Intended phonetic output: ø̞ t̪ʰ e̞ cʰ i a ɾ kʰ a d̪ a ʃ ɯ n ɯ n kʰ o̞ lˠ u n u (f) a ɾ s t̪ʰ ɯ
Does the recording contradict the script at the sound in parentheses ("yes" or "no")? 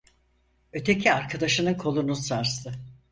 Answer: yes